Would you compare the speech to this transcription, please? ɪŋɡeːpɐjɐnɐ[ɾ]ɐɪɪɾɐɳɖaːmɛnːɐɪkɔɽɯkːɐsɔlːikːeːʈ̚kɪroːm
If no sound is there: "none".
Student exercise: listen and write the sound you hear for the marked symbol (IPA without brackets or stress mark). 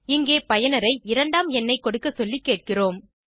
ɾ